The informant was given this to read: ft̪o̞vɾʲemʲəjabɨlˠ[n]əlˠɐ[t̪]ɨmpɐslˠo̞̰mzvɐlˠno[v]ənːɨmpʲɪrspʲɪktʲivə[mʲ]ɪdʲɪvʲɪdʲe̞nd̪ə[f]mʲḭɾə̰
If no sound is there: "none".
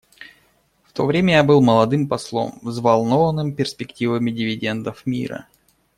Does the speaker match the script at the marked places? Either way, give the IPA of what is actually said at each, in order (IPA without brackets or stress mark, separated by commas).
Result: m, d̪, v, mʲ, f